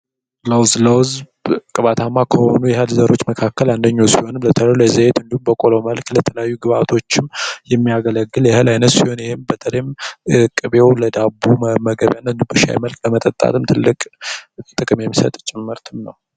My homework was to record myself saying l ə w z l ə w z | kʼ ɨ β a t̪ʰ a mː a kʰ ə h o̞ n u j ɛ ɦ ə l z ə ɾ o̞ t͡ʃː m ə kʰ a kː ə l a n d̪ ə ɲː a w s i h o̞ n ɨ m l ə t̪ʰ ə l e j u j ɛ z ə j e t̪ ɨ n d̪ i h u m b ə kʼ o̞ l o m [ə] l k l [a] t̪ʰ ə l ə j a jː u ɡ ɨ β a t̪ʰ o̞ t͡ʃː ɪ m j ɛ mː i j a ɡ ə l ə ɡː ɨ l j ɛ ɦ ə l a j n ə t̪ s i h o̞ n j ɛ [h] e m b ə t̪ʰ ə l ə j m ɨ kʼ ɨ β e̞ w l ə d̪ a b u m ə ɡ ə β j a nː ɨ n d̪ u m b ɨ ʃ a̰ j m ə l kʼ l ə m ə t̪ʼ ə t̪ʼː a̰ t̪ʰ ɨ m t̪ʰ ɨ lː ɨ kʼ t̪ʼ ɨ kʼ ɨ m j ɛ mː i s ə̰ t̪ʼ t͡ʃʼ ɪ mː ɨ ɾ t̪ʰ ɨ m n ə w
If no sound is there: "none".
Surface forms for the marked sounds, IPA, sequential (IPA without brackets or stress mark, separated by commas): ə, ə, h